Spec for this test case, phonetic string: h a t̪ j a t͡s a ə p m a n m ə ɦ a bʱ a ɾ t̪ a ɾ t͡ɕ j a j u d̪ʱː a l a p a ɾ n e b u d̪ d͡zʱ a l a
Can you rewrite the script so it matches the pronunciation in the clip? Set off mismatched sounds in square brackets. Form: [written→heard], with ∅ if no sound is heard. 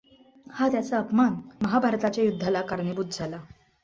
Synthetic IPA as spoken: h a t̪ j a t͡s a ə p m a n m ə ɦ a bʱ a ɾ t̪ a [ɾ→∅] t͡ɕ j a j u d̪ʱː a l a [p→k] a ɾ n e b u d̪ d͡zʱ a l a